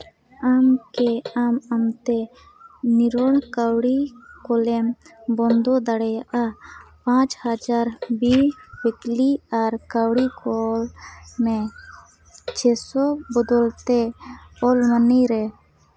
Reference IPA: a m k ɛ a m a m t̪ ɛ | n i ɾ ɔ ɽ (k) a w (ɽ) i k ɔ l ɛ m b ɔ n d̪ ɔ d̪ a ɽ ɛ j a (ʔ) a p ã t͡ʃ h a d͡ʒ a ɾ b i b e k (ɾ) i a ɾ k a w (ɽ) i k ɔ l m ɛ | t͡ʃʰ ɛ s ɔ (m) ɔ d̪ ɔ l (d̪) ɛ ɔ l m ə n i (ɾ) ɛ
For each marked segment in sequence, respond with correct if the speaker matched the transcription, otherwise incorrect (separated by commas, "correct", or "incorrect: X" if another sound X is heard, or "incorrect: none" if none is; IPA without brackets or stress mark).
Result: correct, correct, correct, incorrect: l, correct, incorrect: b, incorrect: t̪, correct